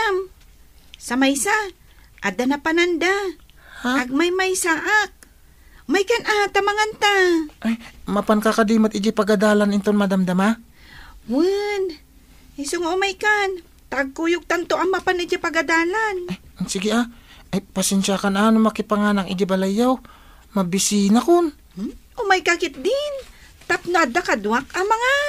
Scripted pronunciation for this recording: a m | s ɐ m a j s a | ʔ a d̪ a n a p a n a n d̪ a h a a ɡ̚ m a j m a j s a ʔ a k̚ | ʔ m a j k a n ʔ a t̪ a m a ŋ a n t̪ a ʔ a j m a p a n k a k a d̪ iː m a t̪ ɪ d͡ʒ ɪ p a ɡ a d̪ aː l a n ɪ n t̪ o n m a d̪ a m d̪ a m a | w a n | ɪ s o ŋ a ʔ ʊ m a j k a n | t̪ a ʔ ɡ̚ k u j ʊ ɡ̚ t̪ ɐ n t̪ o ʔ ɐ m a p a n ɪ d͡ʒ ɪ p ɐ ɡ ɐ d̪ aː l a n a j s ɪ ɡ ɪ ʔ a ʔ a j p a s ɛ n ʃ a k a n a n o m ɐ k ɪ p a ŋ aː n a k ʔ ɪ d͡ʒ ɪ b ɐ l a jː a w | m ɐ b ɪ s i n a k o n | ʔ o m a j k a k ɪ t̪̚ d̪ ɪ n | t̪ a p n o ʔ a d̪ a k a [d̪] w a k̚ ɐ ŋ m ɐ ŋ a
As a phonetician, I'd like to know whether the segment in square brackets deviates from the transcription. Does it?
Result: no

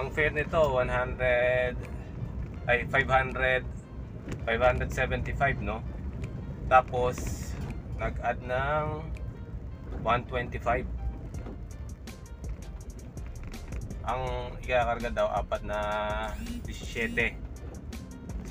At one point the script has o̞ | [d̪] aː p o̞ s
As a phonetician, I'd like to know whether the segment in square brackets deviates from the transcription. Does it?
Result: yes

